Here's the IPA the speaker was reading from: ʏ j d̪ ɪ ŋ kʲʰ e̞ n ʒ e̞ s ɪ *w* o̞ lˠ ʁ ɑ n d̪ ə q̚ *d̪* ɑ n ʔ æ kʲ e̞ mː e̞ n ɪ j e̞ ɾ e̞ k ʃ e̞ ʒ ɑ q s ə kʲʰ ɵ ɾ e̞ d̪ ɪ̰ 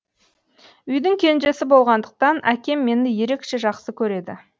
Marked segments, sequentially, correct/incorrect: incorrect: b, incorrect: t̪

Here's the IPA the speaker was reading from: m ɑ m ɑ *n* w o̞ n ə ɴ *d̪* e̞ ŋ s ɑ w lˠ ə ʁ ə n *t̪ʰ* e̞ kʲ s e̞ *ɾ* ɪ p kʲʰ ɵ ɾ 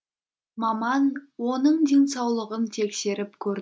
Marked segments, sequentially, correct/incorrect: correct, correct, correct, correct

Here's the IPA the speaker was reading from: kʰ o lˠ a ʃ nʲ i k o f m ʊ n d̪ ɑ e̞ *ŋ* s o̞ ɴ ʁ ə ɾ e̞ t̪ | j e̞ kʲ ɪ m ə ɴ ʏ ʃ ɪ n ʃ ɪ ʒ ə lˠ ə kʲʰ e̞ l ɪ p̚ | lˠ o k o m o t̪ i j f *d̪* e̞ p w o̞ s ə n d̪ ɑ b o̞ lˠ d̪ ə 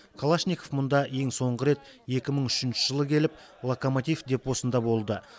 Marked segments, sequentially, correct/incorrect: correct, correct

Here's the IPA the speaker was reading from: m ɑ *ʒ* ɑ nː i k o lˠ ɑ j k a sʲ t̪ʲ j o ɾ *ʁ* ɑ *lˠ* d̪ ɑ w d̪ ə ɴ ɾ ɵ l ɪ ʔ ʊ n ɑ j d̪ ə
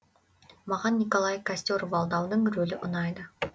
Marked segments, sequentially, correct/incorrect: incorrect: ʁ, incorrect: v, correct

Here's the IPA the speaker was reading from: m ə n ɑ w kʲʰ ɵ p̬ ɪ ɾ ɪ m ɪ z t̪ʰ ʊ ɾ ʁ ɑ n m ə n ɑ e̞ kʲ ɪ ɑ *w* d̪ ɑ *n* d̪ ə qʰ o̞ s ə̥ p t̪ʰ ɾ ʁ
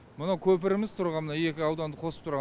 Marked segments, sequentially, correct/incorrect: correct, correct

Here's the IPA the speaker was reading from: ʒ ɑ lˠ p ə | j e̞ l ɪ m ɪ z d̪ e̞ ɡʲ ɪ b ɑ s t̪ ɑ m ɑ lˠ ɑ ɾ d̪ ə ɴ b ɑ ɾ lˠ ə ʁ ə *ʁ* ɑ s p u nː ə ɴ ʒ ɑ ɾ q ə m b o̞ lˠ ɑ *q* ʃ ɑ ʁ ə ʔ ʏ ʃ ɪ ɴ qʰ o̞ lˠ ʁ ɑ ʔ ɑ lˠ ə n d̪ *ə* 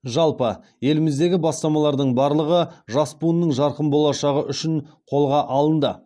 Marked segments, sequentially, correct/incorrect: incorrect: ʒ, incorrect: none, correct

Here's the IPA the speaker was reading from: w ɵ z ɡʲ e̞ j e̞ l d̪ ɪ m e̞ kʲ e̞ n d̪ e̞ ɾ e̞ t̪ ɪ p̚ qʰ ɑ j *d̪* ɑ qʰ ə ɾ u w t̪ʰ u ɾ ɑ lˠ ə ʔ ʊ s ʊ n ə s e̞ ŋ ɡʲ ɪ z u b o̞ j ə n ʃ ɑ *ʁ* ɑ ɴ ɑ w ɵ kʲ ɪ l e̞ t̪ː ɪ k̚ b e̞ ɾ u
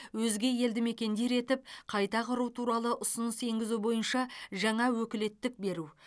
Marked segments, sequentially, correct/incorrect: incorrect: t̪, incorrect: ʒ

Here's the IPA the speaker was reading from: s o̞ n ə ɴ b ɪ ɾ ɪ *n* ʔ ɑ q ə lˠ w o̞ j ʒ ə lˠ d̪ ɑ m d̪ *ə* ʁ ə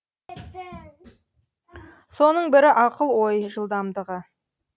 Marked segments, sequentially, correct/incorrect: incorrect: none, correct

